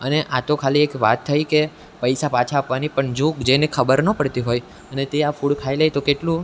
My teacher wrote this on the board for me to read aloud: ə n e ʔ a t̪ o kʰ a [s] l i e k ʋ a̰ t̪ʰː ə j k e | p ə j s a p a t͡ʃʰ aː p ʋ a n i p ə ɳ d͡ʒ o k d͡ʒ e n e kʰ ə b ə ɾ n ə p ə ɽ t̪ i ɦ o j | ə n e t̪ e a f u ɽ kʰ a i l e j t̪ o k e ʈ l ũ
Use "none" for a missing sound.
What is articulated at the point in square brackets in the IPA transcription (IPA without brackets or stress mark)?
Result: none